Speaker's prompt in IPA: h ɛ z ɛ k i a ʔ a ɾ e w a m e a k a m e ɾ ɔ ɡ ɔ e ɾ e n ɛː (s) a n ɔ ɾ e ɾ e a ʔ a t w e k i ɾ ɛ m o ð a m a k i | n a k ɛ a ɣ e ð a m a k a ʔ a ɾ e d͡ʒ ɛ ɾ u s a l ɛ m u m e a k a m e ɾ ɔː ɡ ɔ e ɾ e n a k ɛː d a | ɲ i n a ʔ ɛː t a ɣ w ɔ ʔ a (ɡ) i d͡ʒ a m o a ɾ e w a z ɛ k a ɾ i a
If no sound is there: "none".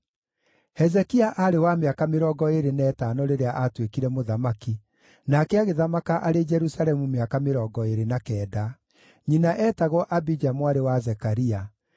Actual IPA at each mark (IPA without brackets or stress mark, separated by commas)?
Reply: t, b